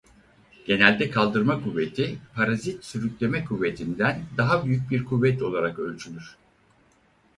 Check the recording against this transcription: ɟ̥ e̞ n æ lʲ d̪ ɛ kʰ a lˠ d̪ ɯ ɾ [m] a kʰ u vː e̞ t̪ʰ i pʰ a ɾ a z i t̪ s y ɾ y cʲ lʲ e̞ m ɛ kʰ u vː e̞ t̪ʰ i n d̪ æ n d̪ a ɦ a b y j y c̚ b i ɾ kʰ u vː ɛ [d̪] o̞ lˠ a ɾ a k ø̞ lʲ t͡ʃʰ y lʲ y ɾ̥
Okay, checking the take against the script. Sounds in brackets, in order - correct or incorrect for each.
correct, incorrect

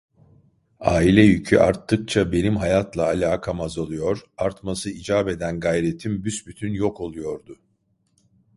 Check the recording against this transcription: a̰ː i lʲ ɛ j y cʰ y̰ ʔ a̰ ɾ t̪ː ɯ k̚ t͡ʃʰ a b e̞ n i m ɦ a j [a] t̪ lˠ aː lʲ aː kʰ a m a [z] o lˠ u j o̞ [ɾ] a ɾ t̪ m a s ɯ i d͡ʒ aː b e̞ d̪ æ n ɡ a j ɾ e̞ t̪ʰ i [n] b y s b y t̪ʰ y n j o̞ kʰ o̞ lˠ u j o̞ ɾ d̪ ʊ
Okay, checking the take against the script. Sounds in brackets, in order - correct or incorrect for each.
correct, correct, correct, incorrect

